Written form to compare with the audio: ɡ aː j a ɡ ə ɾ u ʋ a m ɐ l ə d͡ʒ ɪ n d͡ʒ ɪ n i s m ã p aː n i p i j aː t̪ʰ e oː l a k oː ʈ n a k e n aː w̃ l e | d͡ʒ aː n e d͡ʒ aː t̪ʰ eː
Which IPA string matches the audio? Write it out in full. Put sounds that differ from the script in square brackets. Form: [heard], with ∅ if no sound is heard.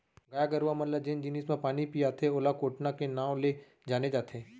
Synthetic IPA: ɡ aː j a ɡ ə ɾ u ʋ a m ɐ l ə d͡ʒ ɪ n d͡ʒ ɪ n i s m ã p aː n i p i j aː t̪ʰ e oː l a k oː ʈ n a k e n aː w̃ l e | d͡ʒ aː n e d͡ʒ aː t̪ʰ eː